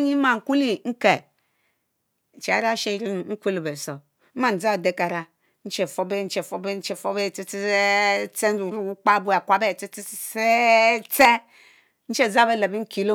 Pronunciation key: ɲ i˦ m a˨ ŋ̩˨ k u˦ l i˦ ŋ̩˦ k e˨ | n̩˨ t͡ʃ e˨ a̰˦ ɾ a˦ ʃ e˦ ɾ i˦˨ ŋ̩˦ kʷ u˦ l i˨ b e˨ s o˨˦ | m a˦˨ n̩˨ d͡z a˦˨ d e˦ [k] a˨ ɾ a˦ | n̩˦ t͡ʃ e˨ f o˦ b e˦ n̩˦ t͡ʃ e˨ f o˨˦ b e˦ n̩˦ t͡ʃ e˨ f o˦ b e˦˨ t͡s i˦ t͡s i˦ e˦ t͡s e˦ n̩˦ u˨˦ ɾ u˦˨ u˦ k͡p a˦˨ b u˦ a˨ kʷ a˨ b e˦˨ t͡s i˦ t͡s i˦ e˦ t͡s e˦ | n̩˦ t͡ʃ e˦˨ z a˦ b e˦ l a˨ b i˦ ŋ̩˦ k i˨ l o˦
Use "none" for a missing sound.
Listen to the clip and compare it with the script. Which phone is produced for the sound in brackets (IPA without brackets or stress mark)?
k